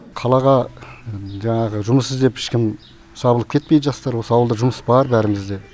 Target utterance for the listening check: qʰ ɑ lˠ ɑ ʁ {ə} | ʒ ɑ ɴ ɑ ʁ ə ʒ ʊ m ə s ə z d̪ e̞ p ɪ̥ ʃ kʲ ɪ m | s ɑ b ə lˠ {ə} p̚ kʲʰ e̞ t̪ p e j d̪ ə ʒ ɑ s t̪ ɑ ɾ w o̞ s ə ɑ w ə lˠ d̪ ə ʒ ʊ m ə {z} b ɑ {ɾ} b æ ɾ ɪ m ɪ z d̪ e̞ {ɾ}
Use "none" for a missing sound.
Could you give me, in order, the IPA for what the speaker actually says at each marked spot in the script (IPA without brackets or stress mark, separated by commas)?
ɑ, ə, s, ɾ, none